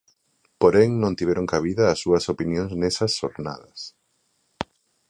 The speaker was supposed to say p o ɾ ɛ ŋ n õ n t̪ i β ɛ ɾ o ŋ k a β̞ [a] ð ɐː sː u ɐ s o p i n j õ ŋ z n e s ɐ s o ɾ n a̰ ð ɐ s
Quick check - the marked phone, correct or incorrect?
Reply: incorrect